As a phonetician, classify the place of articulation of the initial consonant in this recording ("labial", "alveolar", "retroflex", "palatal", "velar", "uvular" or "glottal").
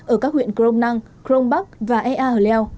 glottal